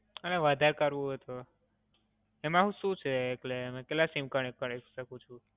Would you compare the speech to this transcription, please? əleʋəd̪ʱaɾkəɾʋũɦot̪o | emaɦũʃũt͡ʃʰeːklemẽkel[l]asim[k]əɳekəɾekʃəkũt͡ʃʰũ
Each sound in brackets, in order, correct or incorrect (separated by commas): correct, correct